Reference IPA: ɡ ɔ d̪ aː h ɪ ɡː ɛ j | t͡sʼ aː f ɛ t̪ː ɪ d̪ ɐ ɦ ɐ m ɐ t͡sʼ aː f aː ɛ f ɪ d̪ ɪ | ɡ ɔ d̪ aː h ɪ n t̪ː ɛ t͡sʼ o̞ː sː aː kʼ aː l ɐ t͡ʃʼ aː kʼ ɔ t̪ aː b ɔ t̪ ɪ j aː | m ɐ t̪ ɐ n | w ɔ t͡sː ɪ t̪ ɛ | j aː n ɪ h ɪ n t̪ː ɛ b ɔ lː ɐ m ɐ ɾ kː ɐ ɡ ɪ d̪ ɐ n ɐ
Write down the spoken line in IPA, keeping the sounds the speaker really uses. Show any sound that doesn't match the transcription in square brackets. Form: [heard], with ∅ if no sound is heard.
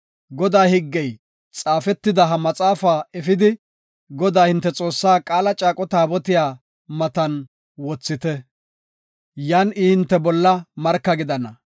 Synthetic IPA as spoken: ɡ ɔ d̪ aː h ɪ ɡː ɛ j | t͡sʼ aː f ɛ t̪ː ɪ d̪ ɐ ɦ ɐ m ɐ t͡sʼ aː f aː ɛ f ɪ d̪ ɪ | ɡ ɔ d̪ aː h ɪ n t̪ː ɛ t͡sʼ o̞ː sː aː kʼ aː l ɐ t͡ʃʼ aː kʼ ɔ t̪ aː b ɔ t̪ ɪ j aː | m ɐ t̪ ɐ n | w ɔ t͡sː ɪ t̪ ɛ | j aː n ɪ h ɪ n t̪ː ɛ b ɔ lː ɐ m ɐ ɾ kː ɐ ɡ ɪ d̪ ɐ n ɐ